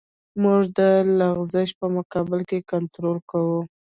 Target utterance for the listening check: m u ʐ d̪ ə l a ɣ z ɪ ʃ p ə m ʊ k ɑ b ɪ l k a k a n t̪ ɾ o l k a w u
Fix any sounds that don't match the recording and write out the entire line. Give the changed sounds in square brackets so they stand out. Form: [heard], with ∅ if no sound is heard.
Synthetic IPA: m u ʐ d̪ ə l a ɣ z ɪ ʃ p ə m ʊ k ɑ b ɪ l k [e] k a n t̪ ɾ o l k a w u